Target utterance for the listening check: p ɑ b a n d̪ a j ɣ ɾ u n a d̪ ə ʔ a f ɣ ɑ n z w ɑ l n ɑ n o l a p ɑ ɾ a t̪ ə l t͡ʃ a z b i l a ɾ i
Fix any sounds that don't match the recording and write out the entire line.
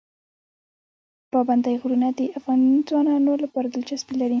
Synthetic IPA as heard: p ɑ b a n d̪ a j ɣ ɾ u n a d̪ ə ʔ a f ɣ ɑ n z w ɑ n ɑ n o l a p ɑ ɾ a d̪ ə l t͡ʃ a s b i l a ɾ i